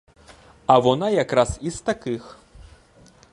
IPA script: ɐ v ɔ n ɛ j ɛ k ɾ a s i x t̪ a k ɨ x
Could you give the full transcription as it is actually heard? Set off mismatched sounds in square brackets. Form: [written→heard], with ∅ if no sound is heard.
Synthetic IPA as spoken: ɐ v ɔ n [ɛ→a] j [ɛ→a] k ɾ a s i [x→s] t̪ a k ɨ x